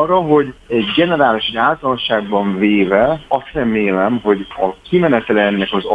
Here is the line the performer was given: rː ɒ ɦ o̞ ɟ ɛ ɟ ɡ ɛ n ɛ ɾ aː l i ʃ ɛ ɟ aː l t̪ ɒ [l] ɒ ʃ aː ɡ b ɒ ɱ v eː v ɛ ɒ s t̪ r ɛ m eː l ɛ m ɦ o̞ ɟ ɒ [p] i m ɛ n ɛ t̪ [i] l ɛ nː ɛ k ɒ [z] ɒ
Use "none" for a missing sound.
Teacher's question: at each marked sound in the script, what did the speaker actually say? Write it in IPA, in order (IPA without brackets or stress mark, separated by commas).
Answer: l, k, ɛ, z